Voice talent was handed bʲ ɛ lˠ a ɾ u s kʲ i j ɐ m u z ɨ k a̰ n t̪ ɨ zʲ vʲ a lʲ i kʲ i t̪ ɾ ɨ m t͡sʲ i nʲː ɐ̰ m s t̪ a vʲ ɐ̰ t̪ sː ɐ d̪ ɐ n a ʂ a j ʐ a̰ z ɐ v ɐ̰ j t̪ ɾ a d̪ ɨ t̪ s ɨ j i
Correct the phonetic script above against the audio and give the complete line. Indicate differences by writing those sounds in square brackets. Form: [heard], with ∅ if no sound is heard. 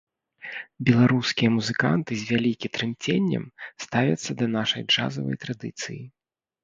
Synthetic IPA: bʲ ɛ lˠ a ɾ u s kʲ i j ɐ m u z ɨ k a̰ n t̪ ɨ zʲ vʲ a lʲ i kʲ i t̪ ɾ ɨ m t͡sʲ [e] nʲː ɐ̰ m s t̪ a vʲ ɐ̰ t̪ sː ɐ d̪ ɐ n a ʂ [ɐ] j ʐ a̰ z ɐ v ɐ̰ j t̪ ɾ a d̪ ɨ t̪ s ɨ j i